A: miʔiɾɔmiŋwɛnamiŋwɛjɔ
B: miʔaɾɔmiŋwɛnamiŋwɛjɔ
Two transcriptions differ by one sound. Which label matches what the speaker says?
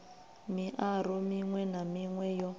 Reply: B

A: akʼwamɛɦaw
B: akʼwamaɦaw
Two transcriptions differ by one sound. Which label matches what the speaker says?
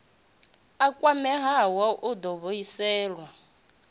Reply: A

